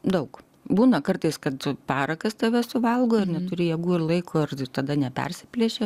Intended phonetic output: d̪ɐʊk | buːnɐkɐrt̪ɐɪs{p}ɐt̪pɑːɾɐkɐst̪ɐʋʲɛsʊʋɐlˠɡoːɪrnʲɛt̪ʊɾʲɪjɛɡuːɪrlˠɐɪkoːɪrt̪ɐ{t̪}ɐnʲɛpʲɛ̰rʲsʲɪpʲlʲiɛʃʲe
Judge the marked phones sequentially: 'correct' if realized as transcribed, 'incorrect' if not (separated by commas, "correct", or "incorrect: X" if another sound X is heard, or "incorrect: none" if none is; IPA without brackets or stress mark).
incorrect: k, incorrect: d̪